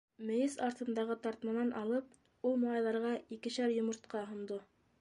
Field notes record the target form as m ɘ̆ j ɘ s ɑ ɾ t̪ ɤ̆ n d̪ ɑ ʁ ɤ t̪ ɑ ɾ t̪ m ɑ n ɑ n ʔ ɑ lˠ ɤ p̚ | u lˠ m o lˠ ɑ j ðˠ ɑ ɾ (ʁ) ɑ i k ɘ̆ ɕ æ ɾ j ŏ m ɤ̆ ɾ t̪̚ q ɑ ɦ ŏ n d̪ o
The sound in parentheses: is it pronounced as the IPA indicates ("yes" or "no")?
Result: yes